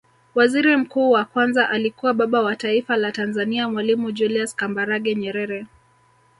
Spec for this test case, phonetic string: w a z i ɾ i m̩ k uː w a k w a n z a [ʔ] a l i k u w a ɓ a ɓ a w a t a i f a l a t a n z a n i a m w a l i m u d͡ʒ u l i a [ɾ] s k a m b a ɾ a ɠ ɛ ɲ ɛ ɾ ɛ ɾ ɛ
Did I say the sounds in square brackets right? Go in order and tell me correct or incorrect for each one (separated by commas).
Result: correct, incorrect